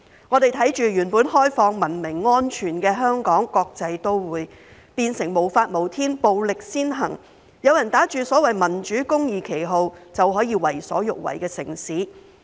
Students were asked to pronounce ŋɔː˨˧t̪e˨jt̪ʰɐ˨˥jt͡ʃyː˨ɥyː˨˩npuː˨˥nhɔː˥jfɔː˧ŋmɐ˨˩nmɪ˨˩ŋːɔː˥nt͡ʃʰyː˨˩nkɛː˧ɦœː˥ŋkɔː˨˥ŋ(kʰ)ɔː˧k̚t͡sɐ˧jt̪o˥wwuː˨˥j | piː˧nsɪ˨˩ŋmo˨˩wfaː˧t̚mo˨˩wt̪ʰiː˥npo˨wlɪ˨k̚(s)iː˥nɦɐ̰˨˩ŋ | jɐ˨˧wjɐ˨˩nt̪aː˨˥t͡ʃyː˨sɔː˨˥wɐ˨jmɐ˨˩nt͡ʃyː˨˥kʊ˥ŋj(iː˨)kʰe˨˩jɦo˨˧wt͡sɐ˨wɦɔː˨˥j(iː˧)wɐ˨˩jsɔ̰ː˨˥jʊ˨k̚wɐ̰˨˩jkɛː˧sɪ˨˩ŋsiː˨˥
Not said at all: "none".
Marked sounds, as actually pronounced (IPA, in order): k, s, iː˨, iː˧

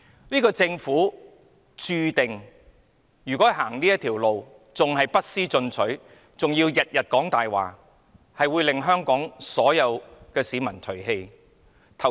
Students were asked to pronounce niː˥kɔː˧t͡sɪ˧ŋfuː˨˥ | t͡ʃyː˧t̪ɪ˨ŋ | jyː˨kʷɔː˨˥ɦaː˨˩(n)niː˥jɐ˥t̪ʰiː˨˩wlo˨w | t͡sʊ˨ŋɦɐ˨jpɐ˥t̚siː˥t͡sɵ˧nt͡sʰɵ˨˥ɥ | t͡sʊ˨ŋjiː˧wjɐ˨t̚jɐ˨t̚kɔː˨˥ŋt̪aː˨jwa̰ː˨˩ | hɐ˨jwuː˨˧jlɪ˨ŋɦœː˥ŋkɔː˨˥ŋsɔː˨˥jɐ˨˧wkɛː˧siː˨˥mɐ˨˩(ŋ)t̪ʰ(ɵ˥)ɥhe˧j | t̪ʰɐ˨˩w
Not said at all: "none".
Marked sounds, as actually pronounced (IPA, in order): ŋ, n, ɵ˨˩

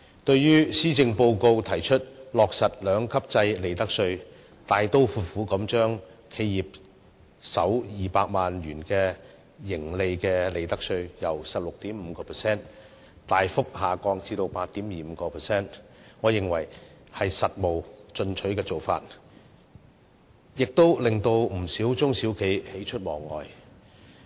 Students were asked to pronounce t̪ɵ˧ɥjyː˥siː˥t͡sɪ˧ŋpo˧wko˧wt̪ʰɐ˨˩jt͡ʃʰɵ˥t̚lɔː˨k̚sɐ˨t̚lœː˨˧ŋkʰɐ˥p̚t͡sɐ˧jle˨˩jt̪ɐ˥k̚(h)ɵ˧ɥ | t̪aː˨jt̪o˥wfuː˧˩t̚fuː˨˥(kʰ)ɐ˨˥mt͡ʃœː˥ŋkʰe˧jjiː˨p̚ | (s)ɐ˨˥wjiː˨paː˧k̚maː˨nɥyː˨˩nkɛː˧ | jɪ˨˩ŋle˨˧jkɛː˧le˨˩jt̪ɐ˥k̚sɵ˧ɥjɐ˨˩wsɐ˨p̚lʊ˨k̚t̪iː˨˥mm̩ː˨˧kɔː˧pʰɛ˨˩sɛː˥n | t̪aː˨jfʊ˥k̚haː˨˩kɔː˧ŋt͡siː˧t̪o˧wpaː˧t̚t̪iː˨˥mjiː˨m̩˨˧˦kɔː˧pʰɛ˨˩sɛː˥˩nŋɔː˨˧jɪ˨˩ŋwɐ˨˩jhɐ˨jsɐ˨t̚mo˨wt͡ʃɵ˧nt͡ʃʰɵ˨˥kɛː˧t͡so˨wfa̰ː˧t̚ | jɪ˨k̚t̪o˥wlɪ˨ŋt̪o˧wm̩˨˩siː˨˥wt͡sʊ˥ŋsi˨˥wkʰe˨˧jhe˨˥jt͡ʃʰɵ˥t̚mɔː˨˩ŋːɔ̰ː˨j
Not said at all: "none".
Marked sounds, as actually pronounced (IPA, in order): s, k, s

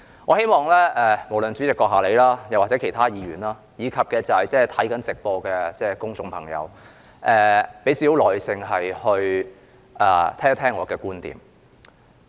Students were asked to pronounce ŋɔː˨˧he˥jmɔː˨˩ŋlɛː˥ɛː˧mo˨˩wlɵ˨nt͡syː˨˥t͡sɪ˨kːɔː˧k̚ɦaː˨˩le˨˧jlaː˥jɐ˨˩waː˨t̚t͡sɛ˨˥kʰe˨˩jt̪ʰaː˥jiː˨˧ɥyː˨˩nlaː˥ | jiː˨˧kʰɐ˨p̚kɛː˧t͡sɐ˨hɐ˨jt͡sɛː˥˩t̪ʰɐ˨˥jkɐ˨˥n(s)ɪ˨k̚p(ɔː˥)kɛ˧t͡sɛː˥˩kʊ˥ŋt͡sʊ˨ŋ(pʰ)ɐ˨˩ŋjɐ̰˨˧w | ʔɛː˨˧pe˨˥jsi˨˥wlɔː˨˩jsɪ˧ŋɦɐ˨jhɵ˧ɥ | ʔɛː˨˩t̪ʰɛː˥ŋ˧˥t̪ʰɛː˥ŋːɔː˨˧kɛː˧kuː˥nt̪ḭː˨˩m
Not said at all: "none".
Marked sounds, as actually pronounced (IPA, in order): t͡s, ɔː˧, pʰ

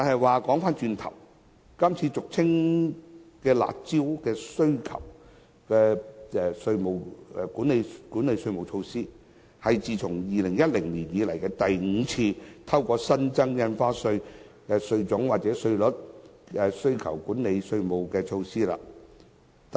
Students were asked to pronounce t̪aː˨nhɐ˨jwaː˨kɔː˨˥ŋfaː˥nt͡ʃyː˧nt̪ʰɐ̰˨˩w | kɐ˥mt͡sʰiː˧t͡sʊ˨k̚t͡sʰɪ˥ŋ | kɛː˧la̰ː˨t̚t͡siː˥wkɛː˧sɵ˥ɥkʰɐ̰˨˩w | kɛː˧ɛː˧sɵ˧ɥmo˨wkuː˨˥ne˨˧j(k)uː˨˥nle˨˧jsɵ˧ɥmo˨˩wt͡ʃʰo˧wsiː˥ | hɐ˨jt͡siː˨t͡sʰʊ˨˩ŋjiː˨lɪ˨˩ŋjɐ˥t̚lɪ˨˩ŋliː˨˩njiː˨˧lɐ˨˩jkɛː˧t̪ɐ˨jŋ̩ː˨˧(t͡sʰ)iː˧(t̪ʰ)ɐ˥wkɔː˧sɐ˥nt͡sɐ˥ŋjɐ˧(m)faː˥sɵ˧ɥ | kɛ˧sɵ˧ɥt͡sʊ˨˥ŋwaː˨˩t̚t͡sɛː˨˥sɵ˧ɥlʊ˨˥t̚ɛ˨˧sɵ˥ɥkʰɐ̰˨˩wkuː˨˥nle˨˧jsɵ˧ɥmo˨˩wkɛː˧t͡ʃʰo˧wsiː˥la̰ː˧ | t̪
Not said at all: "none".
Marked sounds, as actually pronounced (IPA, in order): k, t͡sʰ, t̪ʰ, n

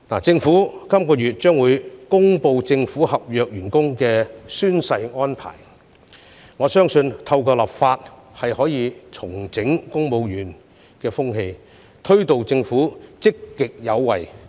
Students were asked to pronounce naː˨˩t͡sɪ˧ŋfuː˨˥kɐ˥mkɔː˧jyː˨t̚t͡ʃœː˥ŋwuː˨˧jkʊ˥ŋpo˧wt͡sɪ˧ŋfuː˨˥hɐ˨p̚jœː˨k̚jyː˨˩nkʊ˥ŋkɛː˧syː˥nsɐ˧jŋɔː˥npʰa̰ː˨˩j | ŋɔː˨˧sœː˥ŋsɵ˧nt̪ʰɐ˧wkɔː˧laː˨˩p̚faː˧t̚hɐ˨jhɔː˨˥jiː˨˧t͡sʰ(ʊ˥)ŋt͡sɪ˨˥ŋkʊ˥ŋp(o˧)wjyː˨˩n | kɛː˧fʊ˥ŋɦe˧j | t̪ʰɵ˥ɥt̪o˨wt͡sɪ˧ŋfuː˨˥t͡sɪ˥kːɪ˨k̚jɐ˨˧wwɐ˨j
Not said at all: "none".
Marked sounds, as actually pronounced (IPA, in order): ʊ˨˩, o˧

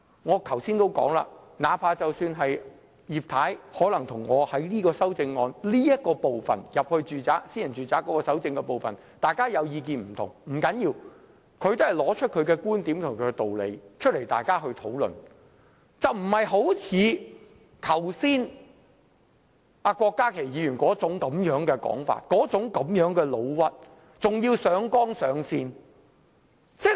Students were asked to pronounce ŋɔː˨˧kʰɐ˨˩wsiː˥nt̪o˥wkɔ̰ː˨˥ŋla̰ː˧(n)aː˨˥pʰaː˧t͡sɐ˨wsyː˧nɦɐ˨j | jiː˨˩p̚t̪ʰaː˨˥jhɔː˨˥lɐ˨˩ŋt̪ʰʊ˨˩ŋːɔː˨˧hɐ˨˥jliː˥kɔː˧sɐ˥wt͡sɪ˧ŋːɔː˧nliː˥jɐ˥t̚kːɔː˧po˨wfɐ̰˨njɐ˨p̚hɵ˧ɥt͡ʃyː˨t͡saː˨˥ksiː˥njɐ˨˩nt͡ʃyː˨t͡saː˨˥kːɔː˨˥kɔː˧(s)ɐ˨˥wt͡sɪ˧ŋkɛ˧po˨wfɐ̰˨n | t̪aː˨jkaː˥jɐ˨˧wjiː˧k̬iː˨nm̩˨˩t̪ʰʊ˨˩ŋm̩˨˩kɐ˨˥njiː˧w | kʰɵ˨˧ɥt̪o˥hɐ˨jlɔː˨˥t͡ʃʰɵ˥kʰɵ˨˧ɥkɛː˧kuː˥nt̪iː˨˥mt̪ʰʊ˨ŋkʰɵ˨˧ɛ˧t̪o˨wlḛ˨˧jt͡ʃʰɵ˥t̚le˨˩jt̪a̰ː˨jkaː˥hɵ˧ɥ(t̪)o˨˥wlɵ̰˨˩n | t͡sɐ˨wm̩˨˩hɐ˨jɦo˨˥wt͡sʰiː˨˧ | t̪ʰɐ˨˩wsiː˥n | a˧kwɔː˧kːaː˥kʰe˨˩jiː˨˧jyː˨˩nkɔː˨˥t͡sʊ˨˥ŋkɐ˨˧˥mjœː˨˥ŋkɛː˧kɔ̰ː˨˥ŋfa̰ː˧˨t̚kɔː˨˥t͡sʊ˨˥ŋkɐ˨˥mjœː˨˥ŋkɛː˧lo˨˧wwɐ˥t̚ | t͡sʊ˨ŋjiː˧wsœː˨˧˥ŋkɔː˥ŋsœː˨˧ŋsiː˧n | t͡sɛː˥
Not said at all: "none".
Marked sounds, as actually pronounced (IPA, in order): n, s, t̪ʰ

